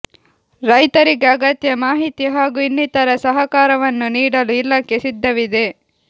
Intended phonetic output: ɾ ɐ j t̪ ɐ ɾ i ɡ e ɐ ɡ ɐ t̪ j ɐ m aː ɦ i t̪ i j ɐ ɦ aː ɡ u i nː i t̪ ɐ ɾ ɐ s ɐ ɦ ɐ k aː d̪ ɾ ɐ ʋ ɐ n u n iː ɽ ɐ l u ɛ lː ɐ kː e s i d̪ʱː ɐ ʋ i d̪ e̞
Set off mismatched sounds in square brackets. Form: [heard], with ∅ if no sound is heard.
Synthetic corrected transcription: ɾ ɐ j t̪ ɐ ɾ i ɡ e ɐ ɡ ɐ t̪ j ɐ m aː ɦ i t̪ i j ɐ ɦ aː ɡ u i nː i t̪ ɐ ɾ ɐ s ɐ ɦ ɐ k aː [∅] ɾ ɐ ʋ ɐ [nː] u n iː ɽ ɐ l u [i] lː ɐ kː e s i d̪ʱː ɐ ʋ i d̪ e̞